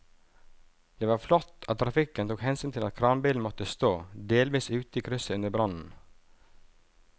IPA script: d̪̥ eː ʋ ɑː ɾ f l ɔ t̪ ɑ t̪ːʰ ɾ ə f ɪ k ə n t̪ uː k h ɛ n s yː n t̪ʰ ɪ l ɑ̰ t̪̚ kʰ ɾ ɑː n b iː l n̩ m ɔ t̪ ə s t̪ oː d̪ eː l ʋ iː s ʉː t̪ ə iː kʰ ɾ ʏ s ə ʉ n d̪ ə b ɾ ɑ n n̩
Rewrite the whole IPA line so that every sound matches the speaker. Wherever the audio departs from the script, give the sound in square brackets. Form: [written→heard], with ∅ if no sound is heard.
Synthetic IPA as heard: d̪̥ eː ʋ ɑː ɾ f l ɔ t̪ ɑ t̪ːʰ ɾ [ə→ɑ] f ɪ k ə n t̪ uː k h ɛ n s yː n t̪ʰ ɪ l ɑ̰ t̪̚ kʰ ɾ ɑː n b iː l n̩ m ɔ t̪ ə s t̪ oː d̪ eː l ʋ iː s ʉː t̪ ə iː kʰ ɾ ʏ s ə ʉ n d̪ ə b ɾ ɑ n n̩

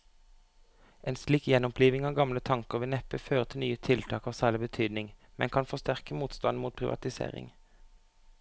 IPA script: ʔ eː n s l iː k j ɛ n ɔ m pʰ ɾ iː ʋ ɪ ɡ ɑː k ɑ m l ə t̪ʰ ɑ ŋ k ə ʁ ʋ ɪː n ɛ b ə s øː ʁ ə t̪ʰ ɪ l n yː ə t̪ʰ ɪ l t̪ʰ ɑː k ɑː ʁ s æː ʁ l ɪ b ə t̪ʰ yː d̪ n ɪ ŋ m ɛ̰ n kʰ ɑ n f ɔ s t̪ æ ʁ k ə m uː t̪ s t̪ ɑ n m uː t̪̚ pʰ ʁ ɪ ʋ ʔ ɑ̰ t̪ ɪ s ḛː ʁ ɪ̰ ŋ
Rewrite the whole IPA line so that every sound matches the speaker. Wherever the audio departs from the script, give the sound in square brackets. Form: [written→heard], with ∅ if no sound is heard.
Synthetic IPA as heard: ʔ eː n s l iː k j ɛ n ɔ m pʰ [ɾ→l] iː ʋ ɪ [ɡ→ŋ] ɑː [k→ɡ] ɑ m l ə t̪ʰ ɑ ŋ k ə ʁ ʋ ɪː n ɛ [b→p] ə [s→f] øː ʁ ə t̪ʰ ɪ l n yː ə t̪ʰ ɪ l t̪ʰ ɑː k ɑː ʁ s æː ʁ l ɪ b ə t̪ʰ yː d̪ n ɪ ŋ m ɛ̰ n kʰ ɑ n f ɔ s t̪ æ ʁ k ə m uː t̪ s t̪ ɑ n m uː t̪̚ pʰ ʁ ɪ ʋ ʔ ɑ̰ t̪ ɪ s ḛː ʁ ɪ̰ ŋ

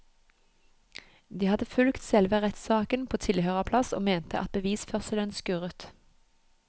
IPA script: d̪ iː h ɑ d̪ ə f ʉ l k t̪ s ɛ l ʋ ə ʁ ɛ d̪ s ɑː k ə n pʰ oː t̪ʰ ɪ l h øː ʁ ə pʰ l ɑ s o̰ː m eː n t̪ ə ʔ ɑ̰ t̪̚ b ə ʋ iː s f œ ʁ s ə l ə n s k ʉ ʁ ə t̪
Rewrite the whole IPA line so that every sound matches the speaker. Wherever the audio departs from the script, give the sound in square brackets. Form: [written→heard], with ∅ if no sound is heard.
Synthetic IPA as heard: d̪ iː h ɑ d̪ ə f ʉ l k t̪ s ɛ l ʋ ə ʁ ɛ [d̪→t̪] s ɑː k ə n pʰ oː t̪ʰ ɪ l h øː ʁ ə pʰ l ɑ s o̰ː m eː n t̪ ə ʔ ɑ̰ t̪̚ b ə ʋ iː s f œ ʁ s ə l ə n s k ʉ ʁ ə t̪

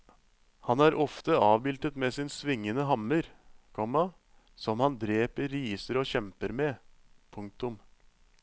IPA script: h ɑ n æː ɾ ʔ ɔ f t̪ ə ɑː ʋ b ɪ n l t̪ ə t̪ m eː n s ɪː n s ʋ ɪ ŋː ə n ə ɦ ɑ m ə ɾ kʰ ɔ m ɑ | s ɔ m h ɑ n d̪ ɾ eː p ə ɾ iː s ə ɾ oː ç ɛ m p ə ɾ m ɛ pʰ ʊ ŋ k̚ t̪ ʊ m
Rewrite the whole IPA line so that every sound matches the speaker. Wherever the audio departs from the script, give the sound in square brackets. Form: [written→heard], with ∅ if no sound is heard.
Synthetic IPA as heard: h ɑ n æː ɾ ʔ ɔ f t̪ ə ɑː ʋ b ɪ [n→∅] l t̪ ə t̪ m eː [n→∅] s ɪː n s ʋ ɪ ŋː ə n ə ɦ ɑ m ə ɾ kʰ ɔ m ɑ | s ɔ m h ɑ n d̪ ɾ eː p ə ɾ iː s ə ɾ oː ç ɛ m p ə ɾ m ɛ pʰ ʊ ŋ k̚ t̪ ʊ m

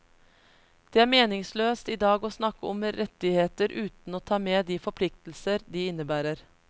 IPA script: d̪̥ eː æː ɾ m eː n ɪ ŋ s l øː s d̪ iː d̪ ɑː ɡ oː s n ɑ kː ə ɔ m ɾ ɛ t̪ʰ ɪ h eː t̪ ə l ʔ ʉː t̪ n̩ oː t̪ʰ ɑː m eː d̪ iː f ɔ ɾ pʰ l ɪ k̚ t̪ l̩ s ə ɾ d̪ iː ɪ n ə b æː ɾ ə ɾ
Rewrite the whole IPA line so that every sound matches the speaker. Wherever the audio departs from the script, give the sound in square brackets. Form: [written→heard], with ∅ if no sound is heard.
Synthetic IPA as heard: d̪̥ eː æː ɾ m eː n ɪ ŋ s l øː s [d̪→t̪] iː d̪ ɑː ɡ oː s n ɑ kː ə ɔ m ɾ ɛ [t̪ʰ→t̪] ɪ h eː t̪ ə [l→ɾ] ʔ ʉː t̪ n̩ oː t̪ʰ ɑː m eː d̪ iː f ɔ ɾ pʰ l ɪ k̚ t̪ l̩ s ə ɾ d̪ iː ɪ n ə b æː ɾ ə ɾ

